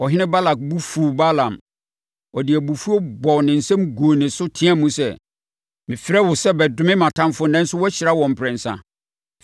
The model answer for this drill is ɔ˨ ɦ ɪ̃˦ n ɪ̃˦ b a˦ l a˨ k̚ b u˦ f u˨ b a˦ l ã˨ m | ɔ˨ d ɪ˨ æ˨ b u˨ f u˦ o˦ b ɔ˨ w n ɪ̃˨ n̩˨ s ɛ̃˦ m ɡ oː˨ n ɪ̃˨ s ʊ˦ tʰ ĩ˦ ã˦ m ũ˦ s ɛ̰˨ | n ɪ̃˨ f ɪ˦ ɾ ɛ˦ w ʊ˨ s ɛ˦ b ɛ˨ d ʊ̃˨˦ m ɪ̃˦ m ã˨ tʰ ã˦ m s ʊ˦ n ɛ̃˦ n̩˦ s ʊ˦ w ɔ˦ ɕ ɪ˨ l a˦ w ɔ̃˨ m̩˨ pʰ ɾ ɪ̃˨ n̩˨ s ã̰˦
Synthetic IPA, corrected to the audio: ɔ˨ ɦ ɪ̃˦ n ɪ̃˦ b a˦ l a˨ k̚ b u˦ f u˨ b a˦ l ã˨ m | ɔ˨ d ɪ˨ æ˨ b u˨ f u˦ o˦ b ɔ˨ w n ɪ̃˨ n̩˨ s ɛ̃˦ m ɡ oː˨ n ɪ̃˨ s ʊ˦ tʰ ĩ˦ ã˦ m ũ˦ s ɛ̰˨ | m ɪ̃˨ f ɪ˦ ɾ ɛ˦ w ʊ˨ s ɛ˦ b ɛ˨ d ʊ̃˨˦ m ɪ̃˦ m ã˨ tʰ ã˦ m f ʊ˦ n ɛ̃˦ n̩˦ s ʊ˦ w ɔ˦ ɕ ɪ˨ ɾ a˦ w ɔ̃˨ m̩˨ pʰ ɾ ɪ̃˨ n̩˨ s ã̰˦